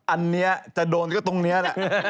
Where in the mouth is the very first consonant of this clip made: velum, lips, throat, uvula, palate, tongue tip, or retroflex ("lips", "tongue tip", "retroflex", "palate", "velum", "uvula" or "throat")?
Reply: throat